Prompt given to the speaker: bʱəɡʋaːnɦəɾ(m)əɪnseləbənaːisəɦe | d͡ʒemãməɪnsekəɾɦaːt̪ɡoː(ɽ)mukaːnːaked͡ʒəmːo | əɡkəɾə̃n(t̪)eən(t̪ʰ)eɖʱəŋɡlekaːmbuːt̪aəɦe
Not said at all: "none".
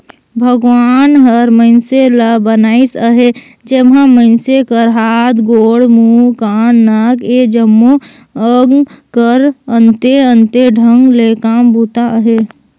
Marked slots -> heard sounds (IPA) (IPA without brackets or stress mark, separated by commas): m, ɽ, t̪, t̪